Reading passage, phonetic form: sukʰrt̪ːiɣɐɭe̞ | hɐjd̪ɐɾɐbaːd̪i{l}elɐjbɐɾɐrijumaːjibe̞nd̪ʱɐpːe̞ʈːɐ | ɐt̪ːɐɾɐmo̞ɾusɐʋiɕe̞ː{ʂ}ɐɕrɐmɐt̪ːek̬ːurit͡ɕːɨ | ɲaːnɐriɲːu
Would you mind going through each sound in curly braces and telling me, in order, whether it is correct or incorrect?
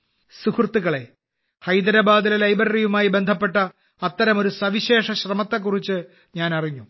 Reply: correct, correct

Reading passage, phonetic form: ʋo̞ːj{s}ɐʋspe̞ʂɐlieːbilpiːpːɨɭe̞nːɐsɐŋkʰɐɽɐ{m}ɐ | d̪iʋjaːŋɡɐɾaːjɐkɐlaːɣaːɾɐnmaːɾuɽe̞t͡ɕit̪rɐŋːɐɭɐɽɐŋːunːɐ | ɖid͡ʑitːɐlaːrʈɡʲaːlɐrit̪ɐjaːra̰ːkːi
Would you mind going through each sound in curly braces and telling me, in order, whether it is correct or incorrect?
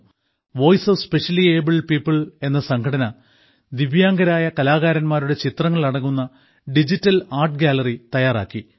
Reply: correct, incorrect

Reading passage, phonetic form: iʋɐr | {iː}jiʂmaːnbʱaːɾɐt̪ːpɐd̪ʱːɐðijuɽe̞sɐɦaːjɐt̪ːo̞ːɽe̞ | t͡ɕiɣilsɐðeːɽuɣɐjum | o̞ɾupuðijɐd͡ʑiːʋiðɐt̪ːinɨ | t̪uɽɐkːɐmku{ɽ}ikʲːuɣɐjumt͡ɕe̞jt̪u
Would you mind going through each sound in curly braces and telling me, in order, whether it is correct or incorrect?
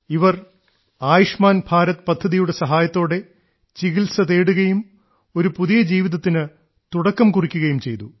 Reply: incorrect, incorrect

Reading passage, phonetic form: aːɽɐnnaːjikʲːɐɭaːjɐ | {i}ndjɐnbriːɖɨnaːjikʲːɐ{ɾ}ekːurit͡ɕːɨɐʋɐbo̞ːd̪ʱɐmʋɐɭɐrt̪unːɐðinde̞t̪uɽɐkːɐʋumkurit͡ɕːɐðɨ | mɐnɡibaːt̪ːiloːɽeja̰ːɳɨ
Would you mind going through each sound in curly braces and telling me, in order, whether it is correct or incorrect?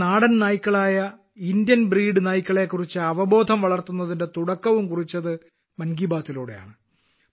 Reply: correct, incorrect

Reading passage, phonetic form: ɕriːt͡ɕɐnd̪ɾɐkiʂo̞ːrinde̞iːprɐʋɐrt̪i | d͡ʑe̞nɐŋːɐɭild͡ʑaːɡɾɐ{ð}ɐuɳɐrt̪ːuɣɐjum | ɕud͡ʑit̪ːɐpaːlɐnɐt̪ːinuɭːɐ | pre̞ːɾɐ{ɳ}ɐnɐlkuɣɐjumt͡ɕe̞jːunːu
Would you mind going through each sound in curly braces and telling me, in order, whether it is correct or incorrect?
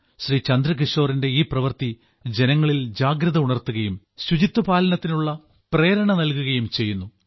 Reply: correct, correct

